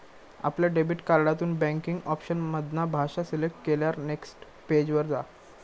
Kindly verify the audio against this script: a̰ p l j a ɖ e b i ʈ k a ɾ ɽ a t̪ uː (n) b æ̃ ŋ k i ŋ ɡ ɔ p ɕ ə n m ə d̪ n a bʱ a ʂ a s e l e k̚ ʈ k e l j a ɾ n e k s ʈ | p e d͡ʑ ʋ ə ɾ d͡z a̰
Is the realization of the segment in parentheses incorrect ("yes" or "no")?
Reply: no